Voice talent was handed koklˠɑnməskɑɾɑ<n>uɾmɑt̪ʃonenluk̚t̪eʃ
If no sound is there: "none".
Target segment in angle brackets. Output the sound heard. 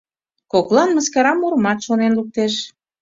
m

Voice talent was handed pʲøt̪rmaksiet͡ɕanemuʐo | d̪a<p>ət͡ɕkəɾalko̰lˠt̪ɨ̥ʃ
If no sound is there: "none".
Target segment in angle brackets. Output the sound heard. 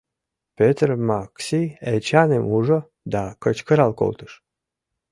k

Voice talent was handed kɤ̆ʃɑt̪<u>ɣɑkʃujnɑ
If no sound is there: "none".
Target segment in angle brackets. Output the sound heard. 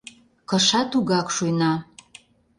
u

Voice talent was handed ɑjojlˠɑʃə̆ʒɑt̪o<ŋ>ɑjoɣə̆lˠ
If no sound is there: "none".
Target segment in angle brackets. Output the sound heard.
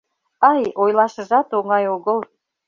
ŋ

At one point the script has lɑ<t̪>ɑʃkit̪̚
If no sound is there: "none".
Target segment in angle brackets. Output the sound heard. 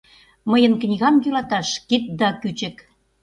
t̪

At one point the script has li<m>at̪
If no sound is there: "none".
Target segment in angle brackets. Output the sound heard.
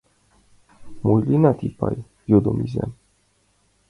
n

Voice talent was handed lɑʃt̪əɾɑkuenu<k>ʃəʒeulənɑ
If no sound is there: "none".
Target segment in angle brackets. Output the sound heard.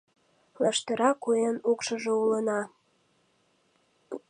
k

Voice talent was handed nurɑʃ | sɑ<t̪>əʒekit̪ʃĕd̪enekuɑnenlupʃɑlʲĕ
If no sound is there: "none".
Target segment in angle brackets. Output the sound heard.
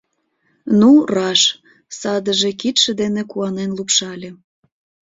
d̪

